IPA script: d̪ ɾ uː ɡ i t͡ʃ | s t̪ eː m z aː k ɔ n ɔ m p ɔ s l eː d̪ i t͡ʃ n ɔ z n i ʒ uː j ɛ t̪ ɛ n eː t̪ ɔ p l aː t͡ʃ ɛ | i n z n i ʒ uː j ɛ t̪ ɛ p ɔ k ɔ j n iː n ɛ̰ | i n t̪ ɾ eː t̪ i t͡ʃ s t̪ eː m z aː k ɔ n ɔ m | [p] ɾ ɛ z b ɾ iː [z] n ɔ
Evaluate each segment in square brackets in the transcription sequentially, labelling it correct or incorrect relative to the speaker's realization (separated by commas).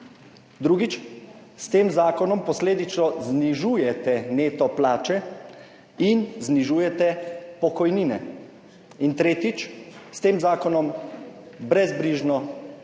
incorrect, incorrect